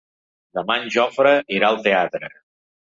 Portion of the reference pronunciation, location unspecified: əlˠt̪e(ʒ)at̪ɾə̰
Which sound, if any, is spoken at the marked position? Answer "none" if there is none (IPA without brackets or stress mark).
none